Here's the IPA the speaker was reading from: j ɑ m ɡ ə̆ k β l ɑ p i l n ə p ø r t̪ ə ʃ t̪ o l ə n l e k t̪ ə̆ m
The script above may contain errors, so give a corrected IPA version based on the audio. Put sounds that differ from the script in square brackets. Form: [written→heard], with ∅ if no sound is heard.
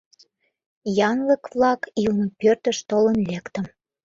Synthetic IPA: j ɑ [m→ŋ] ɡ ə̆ k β l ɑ [p→k] i l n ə p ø r t̪ ə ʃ t̪ o l ə n l e k t̪ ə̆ m